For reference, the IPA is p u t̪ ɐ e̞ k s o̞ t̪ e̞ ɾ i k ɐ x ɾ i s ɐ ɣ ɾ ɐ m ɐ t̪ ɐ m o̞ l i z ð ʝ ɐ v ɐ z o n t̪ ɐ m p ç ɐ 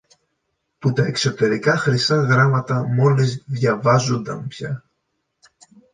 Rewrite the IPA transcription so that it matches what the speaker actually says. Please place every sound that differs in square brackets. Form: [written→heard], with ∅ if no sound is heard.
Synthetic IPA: p u t̪ ɐ e̞ k s o̞ t̪ e̞ ɾ i k ɐ x ɾ i s ɐ ɣ ɾ ɐ m ɐ t̪ ɐ m o̞ l i z ð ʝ ɐ v ɐ z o n [t̪→d̪] ɐ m p ç ɐ